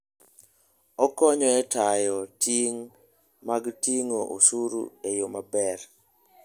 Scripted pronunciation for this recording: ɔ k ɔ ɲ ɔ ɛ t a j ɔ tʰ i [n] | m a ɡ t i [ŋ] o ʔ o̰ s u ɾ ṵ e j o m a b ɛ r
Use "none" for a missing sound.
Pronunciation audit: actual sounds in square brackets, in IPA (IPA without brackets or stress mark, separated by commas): ŋ, ŋ